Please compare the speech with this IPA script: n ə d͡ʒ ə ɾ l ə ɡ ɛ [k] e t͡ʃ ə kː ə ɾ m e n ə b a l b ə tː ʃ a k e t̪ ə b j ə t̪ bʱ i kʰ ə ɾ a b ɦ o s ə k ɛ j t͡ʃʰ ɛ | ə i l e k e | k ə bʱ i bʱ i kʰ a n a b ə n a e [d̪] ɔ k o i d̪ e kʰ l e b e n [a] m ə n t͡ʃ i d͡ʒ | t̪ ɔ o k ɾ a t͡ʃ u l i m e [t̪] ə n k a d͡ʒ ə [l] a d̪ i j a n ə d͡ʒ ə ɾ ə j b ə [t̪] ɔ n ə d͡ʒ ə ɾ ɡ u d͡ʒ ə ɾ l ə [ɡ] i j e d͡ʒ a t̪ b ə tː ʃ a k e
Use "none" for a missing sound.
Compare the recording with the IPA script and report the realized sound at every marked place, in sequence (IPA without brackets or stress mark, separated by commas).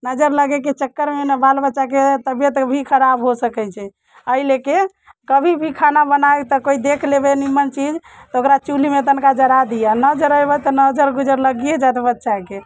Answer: k, t̪, i, t̪, ɾ, t̪, ɡ